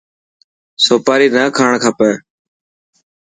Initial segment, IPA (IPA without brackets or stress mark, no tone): s